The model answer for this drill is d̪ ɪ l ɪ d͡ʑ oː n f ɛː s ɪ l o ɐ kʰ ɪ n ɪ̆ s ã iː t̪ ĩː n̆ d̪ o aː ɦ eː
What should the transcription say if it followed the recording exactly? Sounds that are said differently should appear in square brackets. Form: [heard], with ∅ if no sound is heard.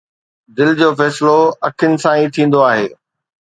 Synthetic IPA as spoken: d̪ ɪ l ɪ d͡ʑ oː [∅] f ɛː s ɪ l o ɐ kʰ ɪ n ɪ̆ s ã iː [t̪ʰ] ĩː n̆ d̪ o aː ɦ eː